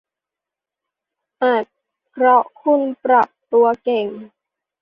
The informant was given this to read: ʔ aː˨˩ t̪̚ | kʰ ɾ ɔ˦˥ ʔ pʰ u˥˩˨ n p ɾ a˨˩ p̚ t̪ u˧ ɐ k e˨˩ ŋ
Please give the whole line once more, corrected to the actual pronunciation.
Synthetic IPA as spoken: ʔ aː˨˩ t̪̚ | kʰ ɾ ɔ˦˥ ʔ kʰ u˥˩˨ n p ɾ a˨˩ p̚ t̪ u˧ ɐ k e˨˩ ŋ